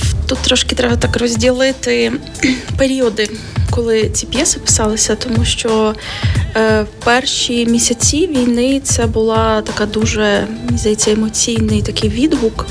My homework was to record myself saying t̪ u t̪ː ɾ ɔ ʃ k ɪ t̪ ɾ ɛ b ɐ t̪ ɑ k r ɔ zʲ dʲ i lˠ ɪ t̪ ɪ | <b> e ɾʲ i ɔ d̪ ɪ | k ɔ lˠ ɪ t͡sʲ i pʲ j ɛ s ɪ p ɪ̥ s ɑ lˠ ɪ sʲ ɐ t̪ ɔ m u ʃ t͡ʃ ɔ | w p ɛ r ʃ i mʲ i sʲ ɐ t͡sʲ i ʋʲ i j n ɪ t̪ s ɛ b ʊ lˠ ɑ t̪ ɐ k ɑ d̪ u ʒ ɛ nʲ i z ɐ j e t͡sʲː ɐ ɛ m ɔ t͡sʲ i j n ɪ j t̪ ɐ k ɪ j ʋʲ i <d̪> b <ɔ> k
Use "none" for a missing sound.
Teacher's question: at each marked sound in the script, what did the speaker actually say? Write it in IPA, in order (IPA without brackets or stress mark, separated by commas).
p, d̪, u